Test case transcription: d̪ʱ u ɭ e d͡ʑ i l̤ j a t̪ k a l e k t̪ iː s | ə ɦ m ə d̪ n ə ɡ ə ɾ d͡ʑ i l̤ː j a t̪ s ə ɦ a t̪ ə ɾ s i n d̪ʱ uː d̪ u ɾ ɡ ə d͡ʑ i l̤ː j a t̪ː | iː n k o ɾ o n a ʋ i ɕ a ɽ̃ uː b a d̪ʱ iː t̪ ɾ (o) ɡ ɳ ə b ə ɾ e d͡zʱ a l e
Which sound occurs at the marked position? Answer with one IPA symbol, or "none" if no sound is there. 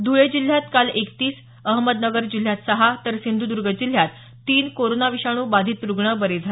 u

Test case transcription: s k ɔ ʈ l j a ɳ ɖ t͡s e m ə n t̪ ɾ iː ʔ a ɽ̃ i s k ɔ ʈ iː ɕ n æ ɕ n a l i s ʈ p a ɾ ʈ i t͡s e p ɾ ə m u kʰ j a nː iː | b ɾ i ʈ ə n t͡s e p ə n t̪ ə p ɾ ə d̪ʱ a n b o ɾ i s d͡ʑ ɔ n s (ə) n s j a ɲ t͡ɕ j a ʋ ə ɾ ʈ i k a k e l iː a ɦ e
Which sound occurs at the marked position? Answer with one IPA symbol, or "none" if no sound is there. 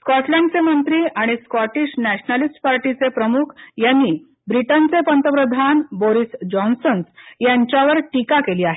ə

